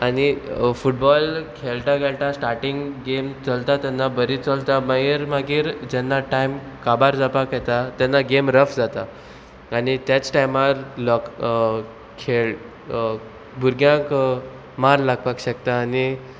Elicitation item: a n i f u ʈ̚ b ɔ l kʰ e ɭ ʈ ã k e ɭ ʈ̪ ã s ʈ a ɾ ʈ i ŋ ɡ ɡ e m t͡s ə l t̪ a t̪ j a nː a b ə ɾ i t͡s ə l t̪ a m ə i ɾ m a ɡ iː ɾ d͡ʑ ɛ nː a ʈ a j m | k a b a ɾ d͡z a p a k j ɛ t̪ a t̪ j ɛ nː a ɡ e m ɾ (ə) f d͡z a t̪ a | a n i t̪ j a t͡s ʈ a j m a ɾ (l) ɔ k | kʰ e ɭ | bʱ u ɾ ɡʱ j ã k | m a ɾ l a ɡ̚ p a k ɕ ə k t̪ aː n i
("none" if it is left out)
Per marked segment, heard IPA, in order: ə, l

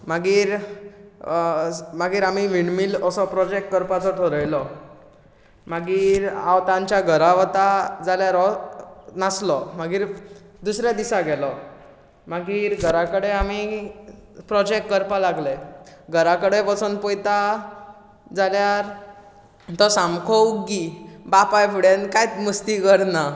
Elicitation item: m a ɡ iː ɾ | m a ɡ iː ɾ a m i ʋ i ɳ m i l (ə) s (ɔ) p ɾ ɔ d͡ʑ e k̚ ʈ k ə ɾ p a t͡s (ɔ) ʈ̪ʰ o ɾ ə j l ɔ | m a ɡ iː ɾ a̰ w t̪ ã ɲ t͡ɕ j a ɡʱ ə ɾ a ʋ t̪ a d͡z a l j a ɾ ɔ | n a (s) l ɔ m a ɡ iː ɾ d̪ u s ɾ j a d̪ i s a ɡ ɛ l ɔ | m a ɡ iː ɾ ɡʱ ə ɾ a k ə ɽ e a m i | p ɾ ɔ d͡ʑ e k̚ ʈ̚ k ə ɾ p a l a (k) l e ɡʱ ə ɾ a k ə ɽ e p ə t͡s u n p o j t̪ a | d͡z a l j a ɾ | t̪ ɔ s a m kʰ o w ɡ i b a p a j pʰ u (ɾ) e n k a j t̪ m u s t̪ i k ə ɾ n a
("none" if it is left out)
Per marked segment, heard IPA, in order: ə, ɔ, ɔ, s, ɡ, ɽ

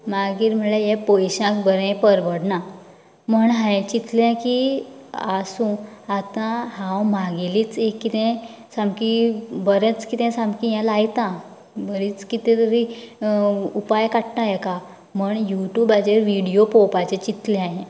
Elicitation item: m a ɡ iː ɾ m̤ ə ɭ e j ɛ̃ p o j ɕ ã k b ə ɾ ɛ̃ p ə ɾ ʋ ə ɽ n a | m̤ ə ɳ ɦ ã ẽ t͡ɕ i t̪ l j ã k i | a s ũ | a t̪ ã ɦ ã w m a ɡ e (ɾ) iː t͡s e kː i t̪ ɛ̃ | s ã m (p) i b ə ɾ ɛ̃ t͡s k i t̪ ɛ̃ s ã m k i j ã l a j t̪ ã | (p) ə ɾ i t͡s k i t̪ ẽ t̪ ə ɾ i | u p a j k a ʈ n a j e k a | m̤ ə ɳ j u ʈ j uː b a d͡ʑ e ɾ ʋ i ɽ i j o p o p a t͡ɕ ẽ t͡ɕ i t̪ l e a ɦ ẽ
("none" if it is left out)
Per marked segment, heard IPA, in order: l, k, b

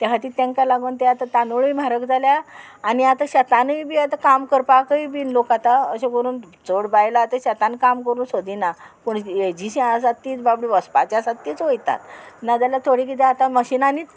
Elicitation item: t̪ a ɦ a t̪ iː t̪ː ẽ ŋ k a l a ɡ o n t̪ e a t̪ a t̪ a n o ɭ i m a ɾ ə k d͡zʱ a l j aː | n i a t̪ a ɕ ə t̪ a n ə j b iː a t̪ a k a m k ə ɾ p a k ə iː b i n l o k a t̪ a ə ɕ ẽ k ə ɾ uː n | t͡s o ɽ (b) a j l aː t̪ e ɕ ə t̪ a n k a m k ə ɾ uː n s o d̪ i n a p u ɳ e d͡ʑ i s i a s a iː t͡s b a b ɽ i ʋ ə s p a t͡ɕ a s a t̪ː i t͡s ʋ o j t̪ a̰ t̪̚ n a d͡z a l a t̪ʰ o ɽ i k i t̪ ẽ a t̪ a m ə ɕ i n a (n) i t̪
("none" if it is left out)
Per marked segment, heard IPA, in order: b, n

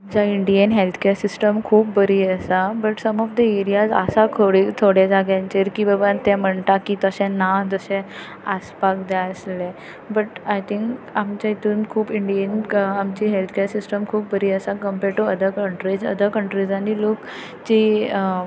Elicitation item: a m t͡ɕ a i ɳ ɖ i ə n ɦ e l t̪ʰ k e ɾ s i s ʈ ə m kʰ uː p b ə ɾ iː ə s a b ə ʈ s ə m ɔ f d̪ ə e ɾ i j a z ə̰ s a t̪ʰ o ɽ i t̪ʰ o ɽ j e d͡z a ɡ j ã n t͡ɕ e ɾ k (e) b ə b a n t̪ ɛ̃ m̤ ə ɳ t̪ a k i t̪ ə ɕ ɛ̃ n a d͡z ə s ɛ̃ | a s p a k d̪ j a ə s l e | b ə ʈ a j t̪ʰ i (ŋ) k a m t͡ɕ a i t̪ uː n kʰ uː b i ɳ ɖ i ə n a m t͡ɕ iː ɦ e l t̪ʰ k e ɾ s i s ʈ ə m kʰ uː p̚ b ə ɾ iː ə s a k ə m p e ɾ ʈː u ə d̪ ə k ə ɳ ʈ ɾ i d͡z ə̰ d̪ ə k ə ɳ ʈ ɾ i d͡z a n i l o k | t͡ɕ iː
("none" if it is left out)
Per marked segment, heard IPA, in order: i, ŋ

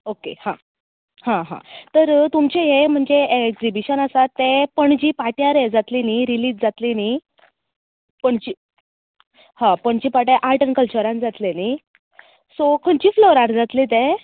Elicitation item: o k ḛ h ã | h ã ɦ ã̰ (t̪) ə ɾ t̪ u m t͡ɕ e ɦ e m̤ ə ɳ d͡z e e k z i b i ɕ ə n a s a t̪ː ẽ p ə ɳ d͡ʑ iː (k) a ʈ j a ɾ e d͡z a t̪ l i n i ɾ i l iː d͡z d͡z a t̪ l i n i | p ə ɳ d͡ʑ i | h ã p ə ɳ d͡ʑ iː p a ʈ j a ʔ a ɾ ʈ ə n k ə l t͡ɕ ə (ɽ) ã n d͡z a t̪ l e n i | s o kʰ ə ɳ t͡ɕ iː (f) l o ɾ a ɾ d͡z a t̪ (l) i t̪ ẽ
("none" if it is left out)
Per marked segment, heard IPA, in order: t̪, p, ɾ, f, l

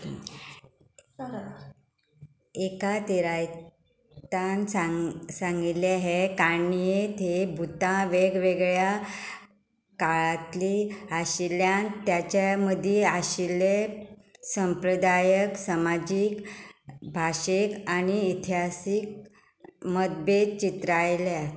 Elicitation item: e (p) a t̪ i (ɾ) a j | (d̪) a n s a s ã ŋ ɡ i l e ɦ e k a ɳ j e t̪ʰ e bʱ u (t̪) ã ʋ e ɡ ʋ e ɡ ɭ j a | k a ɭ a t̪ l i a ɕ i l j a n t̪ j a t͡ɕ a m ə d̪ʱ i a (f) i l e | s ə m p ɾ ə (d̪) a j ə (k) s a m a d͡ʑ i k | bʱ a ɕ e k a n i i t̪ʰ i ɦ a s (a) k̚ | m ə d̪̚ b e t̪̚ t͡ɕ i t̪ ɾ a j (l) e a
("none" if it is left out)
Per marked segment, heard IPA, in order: k, ɾ, t̪, t̪, ɕ, d̪, k, i, l

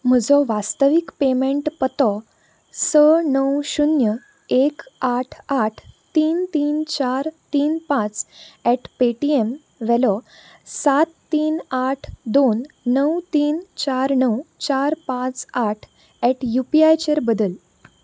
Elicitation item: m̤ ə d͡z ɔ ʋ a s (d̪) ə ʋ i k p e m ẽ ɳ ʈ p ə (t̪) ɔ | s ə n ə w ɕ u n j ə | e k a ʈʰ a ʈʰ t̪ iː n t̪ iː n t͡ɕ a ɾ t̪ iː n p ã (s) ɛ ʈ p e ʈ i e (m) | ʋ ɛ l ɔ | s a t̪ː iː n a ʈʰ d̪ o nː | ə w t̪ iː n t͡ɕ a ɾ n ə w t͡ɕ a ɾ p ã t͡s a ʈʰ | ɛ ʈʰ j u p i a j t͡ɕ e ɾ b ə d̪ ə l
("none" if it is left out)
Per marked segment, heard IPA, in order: t̪, t̪, t͡s, m

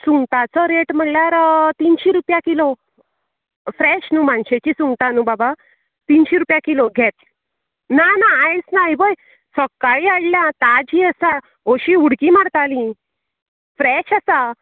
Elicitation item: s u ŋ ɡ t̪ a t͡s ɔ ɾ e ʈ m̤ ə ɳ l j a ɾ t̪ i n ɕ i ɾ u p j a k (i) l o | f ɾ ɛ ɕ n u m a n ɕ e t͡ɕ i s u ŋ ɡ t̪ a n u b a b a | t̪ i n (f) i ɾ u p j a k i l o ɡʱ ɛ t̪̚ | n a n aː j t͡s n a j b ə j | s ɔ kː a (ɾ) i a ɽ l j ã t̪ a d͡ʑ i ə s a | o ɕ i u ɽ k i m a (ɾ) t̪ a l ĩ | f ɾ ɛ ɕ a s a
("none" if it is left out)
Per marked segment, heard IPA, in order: i, ɕ, ɭ, ɽ

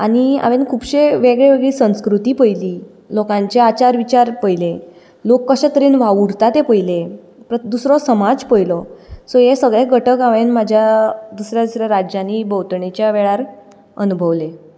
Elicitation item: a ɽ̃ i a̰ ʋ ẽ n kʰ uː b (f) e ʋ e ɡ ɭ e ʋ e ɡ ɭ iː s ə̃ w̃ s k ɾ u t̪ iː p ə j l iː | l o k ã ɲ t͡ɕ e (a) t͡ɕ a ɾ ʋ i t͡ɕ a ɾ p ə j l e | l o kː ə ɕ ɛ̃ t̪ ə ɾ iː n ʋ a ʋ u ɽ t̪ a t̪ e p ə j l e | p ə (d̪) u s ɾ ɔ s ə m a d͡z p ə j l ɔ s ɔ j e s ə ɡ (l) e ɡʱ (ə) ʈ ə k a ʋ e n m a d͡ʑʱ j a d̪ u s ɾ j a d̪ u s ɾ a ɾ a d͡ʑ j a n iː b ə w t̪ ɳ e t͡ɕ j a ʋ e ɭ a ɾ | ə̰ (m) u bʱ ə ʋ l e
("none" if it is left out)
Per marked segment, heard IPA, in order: ɕ, a, d̪, ɭ, ə, n

